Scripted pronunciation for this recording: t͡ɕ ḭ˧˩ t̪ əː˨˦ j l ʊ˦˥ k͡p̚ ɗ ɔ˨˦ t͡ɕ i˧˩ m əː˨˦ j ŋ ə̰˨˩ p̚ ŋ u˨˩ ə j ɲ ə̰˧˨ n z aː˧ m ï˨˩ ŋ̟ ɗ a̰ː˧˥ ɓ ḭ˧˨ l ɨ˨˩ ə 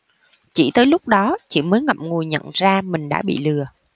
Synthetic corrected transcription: t͡ɕ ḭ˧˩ t̪ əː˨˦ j l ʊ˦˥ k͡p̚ ɗ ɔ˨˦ t͡ɕ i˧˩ m əː˨˦ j ŋ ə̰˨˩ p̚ ŋ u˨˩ ə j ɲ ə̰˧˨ n z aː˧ m ï˨˩ ŋ̟ ɗ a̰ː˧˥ ɓ ḭ˧˨ l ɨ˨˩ ə